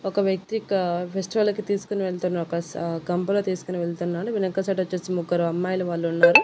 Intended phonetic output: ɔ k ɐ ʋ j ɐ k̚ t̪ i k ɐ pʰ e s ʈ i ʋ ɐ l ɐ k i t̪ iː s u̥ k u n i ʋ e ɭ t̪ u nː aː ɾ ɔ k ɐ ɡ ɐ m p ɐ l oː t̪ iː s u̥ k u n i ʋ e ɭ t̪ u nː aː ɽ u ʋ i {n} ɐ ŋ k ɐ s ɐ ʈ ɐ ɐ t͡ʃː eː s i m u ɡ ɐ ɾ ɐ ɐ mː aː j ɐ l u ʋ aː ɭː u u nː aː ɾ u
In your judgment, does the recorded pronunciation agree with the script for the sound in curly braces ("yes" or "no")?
yes